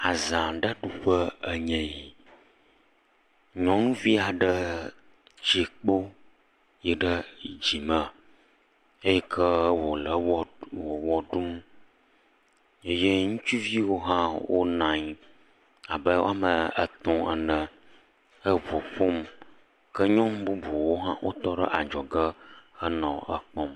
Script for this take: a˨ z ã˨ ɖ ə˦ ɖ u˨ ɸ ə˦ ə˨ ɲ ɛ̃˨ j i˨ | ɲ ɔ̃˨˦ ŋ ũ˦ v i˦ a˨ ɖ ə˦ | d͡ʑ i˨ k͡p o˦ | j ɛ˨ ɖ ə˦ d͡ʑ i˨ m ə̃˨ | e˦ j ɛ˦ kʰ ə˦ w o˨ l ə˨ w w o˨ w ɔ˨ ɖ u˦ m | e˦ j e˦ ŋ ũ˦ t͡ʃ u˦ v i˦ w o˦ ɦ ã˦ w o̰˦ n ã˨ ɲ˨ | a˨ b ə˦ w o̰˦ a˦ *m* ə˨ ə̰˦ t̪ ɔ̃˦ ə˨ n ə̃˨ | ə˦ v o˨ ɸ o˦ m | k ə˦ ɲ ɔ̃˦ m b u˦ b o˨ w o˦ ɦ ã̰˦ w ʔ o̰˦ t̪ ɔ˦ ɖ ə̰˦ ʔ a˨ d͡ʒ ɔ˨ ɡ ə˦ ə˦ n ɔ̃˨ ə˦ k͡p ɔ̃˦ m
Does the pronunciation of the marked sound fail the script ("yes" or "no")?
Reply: no